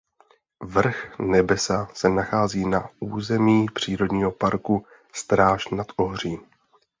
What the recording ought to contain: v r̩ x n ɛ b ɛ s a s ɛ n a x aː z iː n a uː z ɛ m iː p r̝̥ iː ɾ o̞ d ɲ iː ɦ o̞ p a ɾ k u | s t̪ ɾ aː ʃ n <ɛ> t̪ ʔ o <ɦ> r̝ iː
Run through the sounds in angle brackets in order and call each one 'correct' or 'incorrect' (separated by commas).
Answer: incorrect, correct